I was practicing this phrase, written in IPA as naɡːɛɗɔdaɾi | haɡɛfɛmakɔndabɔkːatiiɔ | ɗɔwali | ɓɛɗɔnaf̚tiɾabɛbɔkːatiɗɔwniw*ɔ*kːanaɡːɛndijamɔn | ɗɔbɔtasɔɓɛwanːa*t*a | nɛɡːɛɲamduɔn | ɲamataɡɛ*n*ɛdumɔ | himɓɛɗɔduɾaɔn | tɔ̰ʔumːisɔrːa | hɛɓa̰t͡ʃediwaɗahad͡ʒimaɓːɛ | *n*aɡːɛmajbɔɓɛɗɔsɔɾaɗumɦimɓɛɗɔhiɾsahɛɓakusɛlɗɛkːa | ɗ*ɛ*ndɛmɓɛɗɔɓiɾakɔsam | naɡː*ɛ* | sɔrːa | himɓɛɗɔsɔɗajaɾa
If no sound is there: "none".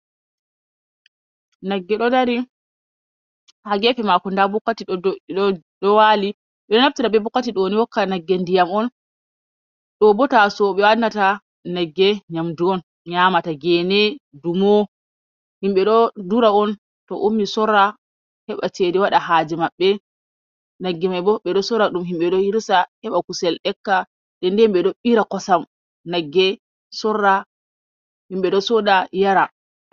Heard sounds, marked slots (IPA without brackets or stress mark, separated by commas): ɔ, t, n, n, ɛ, ɛ